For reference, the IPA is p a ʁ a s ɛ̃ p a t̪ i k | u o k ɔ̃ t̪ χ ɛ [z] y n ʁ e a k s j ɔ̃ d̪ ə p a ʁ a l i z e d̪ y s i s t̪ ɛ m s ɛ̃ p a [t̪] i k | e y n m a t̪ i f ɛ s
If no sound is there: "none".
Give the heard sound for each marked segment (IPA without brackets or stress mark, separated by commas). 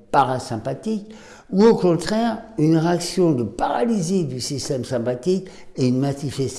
ʁ, t̪